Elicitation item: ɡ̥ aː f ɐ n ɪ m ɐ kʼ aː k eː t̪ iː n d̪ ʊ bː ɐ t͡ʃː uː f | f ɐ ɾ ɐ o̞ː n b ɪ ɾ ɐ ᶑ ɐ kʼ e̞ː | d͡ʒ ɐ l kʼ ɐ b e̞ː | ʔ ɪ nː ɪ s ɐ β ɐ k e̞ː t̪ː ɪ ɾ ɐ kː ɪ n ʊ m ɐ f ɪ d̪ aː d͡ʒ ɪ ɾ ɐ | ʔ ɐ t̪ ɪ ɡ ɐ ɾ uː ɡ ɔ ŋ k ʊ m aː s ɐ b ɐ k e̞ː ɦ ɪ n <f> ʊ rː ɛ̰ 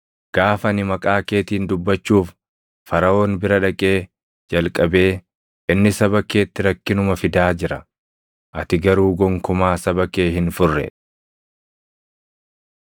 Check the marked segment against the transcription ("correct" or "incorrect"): correct